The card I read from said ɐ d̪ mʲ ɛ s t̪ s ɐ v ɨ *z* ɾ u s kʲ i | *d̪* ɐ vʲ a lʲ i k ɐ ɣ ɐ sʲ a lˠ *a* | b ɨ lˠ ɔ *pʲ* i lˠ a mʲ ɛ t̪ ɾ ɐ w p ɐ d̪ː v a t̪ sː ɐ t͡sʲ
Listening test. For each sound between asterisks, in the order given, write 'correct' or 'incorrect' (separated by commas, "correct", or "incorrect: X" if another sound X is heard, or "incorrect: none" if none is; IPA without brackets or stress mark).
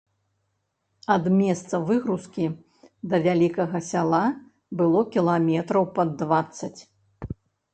incorrect: ɣ, correct, correct, incorrect: kʲ